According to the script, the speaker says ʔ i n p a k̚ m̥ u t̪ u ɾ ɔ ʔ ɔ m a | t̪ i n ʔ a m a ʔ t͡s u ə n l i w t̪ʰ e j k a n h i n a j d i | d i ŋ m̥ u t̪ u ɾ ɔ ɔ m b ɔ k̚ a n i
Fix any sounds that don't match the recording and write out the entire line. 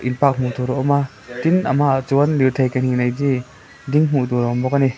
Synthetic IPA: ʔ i n p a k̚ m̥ u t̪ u ɾ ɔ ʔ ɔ m a | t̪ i n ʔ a m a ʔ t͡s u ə n l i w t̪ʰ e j k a n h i n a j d i | d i ŋ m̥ u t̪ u ɾ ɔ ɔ m b ɔ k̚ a n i